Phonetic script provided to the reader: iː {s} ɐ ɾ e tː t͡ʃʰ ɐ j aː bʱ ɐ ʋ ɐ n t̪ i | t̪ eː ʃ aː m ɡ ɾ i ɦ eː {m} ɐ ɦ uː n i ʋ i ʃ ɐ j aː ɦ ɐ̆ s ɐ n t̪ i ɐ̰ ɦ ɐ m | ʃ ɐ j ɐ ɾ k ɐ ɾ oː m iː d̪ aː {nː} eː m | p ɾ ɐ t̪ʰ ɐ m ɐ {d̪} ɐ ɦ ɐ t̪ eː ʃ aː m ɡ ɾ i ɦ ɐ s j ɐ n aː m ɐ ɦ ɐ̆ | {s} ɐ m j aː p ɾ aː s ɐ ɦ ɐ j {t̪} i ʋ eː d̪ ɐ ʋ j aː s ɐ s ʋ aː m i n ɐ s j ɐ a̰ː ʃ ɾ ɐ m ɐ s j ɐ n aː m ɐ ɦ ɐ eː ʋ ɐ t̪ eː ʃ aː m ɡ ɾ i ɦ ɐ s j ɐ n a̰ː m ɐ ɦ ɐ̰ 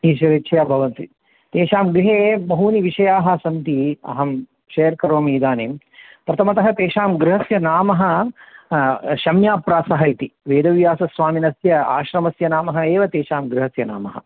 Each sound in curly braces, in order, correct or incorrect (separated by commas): incorrect, incorrect, incorrect, incorrect, incorrect, correct